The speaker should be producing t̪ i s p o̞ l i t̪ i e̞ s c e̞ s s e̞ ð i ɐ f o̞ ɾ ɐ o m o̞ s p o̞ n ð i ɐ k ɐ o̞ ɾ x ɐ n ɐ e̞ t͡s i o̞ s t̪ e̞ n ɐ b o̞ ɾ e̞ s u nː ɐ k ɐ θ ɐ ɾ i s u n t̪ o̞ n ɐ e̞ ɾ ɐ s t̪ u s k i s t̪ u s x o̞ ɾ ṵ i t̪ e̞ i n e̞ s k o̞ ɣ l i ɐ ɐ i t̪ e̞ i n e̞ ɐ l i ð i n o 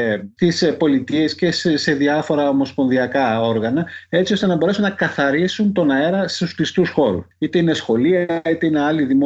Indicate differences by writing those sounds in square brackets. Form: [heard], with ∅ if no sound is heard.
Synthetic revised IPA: t̪ i s p o̞ l i t̪ i e̞ s c e̞ s s e̞ ð i ɐ f o̞ ɾ ɐ o m o̞ s p o̞ n ð i ɐ k ɐ o̞ ɾ [ɣ] ɐ n ɐ e̞ t͡s i o̞ s t̪ e̞ n ɐ b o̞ ɾ e̞ s u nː ɐ k ɐ θ ɐ ɾ i s u n t̪ o̞ n ɐ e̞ ɾ ɐ s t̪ u s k i s t̪ u s x o̞ ɾ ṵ i t̪ e̞ i n e̞ s [x] o̞ [∅] l i ɐ ɐ i t̪ e̞ i n e̞ ɐ l i ð i [m] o